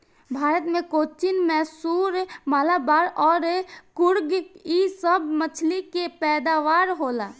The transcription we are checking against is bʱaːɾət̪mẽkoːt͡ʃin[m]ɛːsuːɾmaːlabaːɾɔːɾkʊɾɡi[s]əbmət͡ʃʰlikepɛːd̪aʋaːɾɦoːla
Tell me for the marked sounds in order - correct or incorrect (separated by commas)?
correct, correct